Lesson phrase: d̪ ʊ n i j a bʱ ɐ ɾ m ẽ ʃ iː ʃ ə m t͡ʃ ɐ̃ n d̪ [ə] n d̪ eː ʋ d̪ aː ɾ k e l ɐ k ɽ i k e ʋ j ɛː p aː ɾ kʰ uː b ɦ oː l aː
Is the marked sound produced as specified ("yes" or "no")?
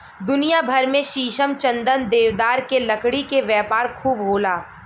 yes